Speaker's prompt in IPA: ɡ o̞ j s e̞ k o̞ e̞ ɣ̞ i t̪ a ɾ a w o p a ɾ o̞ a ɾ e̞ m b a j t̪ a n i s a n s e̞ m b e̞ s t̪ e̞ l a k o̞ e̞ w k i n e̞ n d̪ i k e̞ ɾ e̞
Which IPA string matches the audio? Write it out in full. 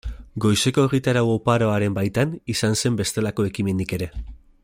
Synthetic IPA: ɡ o̞ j s e̞ k o̞ e̞ ɣ̞ i t̪ a ɾ a w o p a ɾ o̞ a ɾ e̞ m b a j t̪ a n i s a n s e̞ m b e̞ s t̪ e̞ l a k o̞ e̞ k i m e̞ n d̪ i k e̞ ɾ e̞